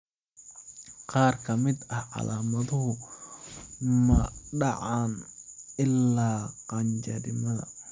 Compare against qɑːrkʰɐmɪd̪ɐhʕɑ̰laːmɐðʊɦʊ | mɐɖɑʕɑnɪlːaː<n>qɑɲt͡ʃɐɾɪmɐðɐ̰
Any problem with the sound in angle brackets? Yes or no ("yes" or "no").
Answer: yes